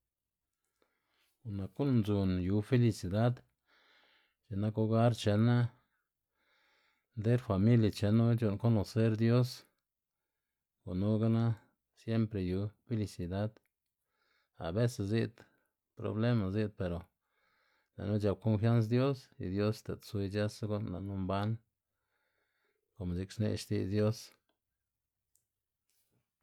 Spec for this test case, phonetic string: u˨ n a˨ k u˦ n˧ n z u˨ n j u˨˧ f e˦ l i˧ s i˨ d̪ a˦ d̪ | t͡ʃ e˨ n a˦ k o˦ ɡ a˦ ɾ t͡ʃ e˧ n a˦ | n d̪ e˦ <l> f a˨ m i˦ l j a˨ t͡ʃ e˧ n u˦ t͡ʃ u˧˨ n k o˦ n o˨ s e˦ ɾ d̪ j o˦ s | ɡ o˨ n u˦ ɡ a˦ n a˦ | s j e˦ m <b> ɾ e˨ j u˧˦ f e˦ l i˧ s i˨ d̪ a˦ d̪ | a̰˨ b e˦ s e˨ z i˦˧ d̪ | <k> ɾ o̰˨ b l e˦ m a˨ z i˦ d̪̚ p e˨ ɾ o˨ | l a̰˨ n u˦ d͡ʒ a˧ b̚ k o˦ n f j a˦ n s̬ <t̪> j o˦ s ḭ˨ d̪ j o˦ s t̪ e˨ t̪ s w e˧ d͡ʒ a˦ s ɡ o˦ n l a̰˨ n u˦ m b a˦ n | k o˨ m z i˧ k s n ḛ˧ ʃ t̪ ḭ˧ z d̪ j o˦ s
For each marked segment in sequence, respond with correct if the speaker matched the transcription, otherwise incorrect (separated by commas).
incorrect, incorrect, incorrect, incorrect